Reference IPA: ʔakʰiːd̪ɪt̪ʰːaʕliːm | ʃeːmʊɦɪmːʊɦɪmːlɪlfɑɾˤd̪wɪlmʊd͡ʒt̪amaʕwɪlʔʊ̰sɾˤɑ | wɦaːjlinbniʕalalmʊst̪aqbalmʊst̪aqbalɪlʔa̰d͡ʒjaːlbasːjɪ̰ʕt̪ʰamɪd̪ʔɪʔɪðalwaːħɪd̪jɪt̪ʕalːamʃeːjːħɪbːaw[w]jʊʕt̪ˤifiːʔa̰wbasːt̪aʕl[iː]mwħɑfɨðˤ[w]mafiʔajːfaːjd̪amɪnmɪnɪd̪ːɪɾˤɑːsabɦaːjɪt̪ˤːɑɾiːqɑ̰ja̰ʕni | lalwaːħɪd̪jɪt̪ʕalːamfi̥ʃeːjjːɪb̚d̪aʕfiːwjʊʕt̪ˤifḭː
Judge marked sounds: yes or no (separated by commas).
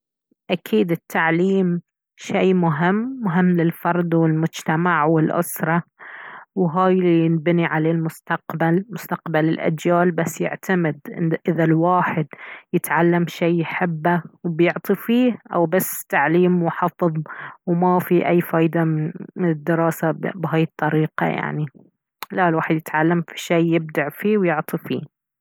no, yes, yes